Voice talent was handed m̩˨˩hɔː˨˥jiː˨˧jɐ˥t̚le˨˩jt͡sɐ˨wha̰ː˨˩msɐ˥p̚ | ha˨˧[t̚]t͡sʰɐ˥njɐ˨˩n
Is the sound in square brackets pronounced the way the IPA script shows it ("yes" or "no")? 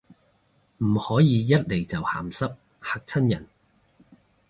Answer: no